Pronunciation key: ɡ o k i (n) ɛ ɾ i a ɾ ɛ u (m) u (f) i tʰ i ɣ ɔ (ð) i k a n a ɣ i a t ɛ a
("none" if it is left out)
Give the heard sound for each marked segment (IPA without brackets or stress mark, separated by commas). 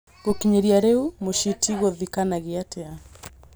ɲ, m, ʃ, ð